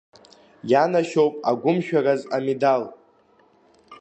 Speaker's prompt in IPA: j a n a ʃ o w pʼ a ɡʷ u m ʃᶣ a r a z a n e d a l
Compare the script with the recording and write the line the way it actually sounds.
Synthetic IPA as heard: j a n a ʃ o w pʼ a ɡʷ ʊ m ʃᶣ a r a z a m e d a l